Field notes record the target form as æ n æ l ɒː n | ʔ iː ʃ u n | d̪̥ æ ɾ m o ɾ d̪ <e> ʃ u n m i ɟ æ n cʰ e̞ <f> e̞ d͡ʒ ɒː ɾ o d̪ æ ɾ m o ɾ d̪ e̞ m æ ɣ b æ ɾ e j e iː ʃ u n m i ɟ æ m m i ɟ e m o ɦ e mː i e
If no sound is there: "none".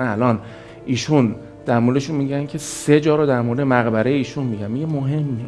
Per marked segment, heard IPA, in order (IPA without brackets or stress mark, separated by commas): e, s